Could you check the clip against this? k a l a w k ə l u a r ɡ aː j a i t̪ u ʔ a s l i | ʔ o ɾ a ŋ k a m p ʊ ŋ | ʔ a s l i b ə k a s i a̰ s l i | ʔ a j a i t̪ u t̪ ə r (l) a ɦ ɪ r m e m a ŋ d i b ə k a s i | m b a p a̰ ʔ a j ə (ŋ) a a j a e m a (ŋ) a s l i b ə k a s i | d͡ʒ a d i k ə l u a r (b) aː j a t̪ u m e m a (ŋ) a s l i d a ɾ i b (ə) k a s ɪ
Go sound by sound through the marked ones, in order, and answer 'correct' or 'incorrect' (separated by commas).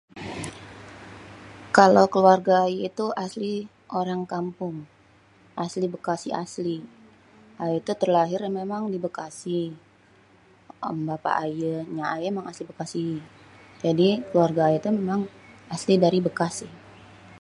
correct, incorrect, correct, incorrect, correct, correct